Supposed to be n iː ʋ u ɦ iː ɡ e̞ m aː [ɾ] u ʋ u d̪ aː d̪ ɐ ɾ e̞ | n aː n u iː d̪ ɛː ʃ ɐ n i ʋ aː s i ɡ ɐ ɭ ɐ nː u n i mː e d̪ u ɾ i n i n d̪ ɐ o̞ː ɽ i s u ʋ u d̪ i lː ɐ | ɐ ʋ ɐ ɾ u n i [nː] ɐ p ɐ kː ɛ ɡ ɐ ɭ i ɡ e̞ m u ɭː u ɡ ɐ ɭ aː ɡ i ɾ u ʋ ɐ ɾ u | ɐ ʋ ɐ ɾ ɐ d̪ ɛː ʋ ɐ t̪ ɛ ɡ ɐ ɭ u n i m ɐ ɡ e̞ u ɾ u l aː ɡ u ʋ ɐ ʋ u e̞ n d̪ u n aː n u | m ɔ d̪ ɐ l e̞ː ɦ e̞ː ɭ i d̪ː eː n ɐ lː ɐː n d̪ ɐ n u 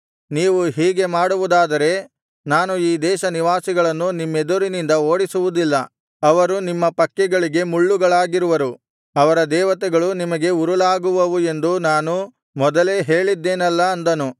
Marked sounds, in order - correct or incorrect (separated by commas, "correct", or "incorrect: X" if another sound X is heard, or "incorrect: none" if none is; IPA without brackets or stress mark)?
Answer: incorrect: ɽ, incorrect: mː